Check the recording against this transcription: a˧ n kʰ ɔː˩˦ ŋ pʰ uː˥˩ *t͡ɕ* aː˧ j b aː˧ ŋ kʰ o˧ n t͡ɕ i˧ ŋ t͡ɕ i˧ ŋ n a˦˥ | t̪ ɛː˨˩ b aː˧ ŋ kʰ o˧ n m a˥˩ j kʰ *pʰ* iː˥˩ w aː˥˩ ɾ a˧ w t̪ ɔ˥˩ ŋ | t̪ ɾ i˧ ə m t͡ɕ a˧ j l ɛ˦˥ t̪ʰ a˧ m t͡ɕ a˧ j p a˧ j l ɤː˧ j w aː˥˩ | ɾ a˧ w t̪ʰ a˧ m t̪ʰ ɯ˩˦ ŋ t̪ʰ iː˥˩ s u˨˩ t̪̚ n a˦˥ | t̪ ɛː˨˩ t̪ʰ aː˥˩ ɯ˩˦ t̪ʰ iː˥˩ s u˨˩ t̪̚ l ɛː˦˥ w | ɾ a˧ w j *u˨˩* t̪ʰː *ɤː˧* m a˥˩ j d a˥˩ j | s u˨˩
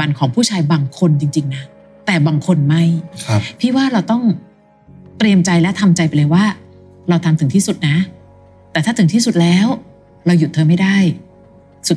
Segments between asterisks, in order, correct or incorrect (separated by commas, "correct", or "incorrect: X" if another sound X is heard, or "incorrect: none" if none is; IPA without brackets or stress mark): incorrect: t͡ɕʰ, correct, correct, correct